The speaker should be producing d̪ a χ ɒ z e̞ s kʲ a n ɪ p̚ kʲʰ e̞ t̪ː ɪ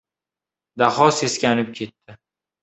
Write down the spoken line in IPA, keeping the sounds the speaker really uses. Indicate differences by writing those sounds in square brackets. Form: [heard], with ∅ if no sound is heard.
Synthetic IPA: d̪ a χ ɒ [s] e̞ s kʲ a n ɪ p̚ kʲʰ e̞ t̪ː ɪ